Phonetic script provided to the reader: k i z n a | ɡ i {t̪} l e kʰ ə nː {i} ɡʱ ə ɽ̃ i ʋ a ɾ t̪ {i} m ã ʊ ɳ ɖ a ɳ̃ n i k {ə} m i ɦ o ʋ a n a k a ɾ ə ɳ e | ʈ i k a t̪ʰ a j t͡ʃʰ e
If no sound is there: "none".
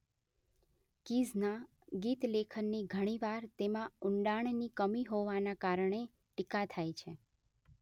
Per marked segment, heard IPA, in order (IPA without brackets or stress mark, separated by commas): t̪, i, e, ə